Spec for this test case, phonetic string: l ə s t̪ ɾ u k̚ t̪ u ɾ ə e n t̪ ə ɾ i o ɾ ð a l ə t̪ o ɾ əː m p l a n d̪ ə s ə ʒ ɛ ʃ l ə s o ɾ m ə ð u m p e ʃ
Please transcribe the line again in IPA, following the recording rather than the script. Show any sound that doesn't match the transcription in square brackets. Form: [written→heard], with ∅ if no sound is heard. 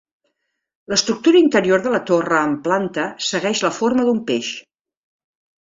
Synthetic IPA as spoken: l ə s t̪ ɾ u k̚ t̪ u ɾ ə [e→i] n t̪ ə ɾ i o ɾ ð [a→ə] l ə t̪ o [ɾ→r] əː m p l a n [d̪→t̪] ə s ə [ʒ→ɣ] ɛ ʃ l ə [s→f] o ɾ m ə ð u m p e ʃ

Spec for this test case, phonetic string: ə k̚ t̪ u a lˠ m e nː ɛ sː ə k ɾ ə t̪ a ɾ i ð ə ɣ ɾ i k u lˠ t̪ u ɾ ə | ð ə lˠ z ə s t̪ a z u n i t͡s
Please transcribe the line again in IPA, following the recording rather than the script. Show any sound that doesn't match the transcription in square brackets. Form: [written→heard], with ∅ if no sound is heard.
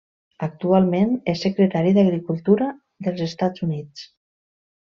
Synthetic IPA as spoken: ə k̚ t̪ u a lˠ m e [nː→n] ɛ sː ə k ɾ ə t̪ a ɾ i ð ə ɣ ɾ i k u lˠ t̪ u ɾ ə | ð ə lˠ z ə s t̪ a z u n i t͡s

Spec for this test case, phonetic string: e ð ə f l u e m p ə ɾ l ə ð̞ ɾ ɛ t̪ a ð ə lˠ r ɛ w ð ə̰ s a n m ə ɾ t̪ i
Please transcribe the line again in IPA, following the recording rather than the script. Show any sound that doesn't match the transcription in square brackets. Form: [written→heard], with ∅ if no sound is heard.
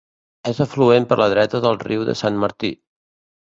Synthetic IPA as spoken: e [ð→z] ə f l u e m p ə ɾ l ə ð̞ ɾ ɛ t̪ [a→ə] ð ə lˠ r [ɛ→i] w ð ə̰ s a n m ə ɾ t̪ i

